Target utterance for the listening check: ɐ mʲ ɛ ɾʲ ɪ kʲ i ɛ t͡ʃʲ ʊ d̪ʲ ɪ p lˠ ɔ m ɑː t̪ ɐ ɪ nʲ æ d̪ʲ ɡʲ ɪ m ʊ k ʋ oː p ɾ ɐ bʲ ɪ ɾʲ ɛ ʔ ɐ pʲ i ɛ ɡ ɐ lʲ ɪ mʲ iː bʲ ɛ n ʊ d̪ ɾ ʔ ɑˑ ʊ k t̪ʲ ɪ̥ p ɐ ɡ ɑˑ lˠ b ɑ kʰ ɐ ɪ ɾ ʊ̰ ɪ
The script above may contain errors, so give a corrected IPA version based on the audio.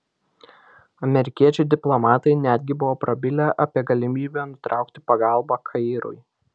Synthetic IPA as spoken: ɐ mʲ ɛ ɾʲ ɪ kʲ i ɛ t͡ʃʲ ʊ d̪ʲ ɪ p lˠ ɔ m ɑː t̪ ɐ ɪ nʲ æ d̪ʲ ɡʲ ɪ b ʊ ʋ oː p ɾ ɐ bʲ ɪ lʲ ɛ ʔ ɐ pʲ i ɛ ɡ ɐ lʲ ɪ mʲ iː bʲ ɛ n ʊ t̪ ɾ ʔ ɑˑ ʊ k t̪ʲ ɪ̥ p ɐ ɡ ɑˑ lˠ b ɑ kʰ ɐ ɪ ɾ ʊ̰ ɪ